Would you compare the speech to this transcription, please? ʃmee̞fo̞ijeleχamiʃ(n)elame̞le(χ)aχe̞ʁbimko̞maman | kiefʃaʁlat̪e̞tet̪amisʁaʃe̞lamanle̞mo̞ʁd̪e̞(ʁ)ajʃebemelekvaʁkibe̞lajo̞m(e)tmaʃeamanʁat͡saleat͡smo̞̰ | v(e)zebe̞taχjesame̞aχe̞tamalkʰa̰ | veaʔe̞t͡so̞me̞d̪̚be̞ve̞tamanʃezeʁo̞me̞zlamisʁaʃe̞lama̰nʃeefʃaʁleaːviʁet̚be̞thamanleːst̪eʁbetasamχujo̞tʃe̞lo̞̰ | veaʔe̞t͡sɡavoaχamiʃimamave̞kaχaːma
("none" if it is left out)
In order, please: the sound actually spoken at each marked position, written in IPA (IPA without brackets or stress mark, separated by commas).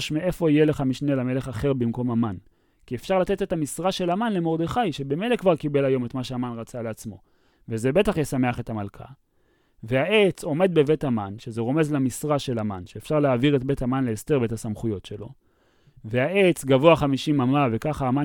n, χ, χ, e, e